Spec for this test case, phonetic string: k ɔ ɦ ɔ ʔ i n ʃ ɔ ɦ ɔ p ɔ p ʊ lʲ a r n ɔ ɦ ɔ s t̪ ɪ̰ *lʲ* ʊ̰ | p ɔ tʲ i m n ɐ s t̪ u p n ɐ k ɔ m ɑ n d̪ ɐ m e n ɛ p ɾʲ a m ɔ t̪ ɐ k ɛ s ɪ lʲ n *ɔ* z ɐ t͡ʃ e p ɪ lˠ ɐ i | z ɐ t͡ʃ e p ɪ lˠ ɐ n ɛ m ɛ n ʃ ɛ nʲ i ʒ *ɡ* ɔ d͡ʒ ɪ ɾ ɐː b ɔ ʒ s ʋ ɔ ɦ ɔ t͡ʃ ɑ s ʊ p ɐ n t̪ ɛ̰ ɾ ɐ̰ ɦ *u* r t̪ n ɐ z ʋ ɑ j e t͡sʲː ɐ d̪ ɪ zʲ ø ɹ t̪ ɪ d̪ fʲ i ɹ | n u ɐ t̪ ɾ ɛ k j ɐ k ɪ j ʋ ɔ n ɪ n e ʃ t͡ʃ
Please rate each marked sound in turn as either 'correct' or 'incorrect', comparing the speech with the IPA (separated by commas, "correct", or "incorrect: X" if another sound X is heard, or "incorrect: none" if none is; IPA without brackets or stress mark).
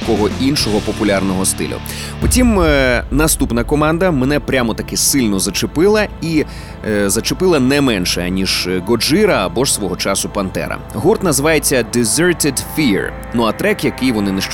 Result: correct, correct, correct, correct